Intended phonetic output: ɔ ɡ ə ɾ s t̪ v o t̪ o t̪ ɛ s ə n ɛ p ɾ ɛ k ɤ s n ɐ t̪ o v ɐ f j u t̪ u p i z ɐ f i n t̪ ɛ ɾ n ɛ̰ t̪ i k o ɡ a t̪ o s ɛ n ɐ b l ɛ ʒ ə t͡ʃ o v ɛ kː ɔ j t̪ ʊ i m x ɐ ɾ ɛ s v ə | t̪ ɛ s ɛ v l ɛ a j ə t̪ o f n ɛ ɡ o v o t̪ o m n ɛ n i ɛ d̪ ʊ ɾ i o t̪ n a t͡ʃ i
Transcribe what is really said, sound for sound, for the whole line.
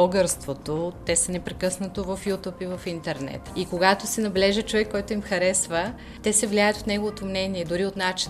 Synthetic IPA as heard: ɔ ɡ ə ɾ s t̪ v o t̪ o t̪ ɛ s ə n ɛ p ɾ ɛ k ɤ s n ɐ t̪ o v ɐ f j u t̪ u p i v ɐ f i n t̪ ɛ ɾ n ɛ̰ t̪ i k o ɡ a t̪ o s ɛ n ɐ b l ɛ ʒ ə t͡ʃ o v ɛ kː ɔ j t̪ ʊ i m x ɐ ɾ ɛ s v ə | t̪ ɛ s ɛ v l i a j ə t̪ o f n ɛ ɡ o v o t̪ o m n ɛ n i ɛ d̪ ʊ ɾ i o t̪ n a t͡ʃ i